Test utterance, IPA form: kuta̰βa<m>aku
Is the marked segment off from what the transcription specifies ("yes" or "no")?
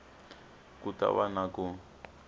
yes